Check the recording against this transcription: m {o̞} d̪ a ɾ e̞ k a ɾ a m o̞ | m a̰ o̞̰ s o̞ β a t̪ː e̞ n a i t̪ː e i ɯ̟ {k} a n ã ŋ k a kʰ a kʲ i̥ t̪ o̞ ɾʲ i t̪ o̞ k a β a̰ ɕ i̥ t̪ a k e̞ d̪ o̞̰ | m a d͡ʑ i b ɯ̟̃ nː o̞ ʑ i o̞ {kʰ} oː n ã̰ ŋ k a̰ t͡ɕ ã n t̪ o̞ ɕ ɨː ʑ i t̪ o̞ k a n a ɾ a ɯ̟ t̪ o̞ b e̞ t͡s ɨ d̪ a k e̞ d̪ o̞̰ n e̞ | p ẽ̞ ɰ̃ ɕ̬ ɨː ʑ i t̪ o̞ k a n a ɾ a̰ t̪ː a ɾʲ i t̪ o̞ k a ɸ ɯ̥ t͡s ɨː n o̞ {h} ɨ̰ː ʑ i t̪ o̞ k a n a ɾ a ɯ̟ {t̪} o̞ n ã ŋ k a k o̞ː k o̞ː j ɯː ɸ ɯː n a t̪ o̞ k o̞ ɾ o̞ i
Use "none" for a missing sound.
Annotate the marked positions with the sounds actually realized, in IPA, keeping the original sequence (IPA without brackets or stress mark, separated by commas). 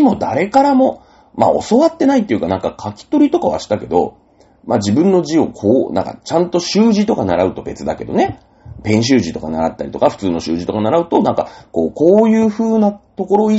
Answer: o̞, k, kʰ, ɕ, t̪